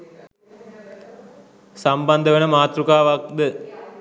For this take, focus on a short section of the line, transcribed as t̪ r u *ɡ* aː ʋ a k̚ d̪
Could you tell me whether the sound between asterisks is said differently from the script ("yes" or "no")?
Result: yes